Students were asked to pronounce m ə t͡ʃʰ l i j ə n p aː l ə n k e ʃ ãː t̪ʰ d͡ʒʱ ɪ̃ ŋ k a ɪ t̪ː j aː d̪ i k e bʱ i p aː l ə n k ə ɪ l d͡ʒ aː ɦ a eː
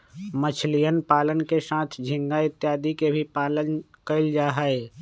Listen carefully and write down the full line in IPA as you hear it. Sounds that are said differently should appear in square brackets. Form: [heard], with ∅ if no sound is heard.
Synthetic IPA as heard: m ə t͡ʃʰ l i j ə n p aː l ə n k e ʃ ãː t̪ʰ d͡ʒʱ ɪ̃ ŋ [ɡ] a ɪ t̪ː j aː d̪ i k e bʱ i p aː l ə n k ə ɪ l d͡ʒ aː ɦ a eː